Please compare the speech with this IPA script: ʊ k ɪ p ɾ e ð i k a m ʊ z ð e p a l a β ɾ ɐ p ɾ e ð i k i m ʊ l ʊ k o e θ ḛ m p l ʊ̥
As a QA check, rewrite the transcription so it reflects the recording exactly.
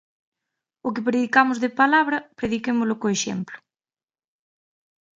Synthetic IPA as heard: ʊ k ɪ p ɾ e ð i k a m ʊ z ð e p a l a β ɾ ɐ p ɾ e ð i k e m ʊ l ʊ k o e ʃ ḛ m p l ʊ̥